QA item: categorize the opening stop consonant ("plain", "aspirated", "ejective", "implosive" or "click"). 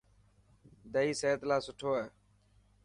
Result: plain